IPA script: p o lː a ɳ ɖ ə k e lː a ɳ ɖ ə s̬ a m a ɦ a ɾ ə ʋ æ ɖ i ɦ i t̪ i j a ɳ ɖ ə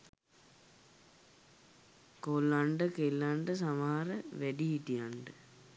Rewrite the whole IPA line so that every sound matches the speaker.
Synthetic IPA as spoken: k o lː a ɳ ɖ ə k e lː a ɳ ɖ ə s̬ a m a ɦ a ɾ ə ʋ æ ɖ i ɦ i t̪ i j a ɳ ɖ ə